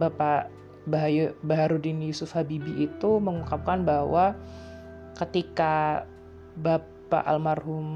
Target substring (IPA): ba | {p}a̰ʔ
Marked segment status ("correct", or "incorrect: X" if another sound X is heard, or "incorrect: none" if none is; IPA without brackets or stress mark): correct